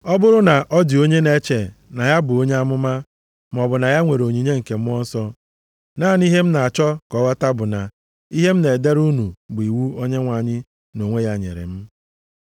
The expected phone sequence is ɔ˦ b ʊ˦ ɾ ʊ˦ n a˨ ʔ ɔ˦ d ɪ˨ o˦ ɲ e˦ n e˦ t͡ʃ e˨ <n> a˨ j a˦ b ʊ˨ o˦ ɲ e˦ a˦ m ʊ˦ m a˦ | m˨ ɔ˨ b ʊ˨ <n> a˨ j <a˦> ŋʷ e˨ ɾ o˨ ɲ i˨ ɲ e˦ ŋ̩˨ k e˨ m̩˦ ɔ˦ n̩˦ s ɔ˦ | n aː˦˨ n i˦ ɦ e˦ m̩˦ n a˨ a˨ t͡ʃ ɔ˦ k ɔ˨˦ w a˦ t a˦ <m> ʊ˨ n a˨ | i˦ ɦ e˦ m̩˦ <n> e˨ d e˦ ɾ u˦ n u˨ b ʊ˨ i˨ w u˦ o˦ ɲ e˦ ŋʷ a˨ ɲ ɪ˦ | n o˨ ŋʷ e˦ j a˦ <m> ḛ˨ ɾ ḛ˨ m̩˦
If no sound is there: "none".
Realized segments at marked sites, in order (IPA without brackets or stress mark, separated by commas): n, n, a˦, b, n, ɲ